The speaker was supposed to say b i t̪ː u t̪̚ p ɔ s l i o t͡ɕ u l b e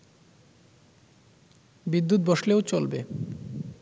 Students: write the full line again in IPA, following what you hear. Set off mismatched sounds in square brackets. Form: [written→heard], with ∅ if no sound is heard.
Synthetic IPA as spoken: b i [t̪ː→d̪ː] u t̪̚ [p→b] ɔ [s→ʃ] l [i→e] o t͡ɕ [u→o] l b e